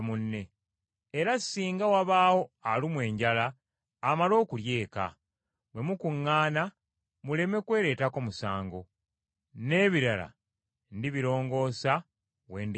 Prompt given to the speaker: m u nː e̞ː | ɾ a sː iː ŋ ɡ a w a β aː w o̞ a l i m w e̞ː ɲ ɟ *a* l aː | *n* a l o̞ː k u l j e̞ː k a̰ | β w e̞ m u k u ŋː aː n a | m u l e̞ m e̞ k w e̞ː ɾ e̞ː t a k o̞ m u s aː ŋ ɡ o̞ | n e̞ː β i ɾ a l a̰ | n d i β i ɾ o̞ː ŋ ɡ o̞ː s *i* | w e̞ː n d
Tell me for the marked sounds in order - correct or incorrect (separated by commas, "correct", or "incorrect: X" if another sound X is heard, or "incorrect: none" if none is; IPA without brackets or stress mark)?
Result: correct, incorrect: m, incorrect: a